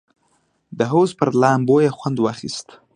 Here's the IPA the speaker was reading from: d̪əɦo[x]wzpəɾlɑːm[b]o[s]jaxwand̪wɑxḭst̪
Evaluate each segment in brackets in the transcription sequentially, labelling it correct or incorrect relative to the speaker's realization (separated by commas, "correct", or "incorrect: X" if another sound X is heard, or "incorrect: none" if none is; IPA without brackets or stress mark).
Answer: incorrect: none, correct, incorrect: none